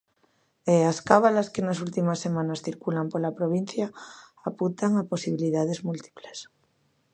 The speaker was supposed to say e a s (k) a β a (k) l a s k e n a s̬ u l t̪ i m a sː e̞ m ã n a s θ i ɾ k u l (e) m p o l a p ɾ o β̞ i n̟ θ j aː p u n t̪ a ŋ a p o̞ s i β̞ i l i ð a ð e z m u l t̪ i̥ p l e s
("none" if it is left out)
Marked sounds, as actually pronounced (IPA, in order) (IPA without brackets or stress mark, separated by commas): k, none, a